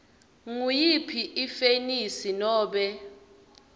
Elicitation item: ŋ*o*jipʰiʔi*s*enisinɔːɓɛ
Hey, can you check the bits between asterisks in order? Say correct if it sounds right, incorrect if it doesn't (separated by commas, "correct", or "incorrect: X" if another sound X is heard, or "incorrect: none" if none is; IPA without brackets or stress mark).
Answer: incorrect: u, incorrect: f